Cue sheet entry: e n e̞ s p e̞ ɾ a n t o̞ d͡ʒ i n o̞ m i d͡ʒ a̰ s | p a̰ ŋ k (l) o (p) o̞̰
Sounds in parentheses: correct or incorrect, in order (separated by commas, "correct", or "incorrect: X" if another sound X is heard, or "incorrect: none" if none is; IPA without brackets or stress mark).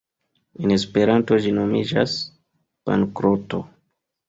incorrect: ɾ, incorrect: t